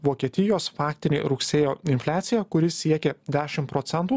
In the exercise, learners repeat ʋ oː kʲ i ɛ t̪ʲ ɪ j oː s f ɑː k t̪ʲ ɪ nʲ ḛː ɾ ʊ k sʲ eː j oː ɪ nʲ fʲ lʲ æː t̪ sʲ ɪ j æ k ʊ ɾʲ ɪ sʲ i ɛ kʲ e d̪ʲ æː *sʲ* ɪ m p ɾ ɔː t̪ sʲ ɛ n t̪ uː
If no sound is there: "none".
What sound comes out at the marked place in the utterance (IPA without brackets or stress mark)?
ʃʲ